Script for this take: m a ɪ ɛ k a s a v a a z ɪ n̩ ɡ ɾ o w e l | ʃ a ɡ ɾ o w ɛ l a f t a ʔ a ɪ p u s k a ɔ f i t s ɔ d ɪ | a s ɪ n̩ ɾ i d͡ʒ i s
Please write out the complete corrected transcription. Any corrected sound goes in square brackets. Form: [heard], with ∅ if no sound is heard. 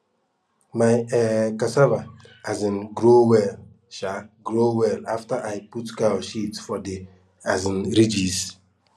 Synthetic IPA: m a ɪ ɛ k a s a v a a z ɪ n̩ ɡ ɾ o w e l | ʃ a ɡ ɾ o w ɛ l a f t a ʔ a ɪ p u [t] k a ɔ [ʃ] i t [f] ɔ d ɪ | a [z] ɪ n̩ ɾ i d͡ʒ i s